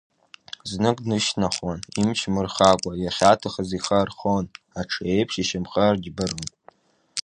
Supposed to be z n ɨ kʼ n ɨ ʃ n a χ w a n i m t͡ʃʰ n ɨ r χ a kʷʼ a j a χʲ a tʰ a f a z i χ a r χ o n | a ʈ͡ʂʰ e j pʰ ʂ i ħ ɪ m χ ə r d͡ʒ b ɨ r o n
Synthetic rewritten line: z n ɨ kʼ n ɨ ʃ n a χ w a n i m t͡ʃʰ m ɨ r χ a kʷʼ a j a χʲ a tʰ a χ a z i χ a r χ o n | a ʈ͡ʂʰ e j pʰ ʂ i ʃ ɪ m χ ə r d͡ʒ b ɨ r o n